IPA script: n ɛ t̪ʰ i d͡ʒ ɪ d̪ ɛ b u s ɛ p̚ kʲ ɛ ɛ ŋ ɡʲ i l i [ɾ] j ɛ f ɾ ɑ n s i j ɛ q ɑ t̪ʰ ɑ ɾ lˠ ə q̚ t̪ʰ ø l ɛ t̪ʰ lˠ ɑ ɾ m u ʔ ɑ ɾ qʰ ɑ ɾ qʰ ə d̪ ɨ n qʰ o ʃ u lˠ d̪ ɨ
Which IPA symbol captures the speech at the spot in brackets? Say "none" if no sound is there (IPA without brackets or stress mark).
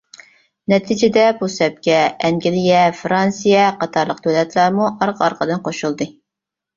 none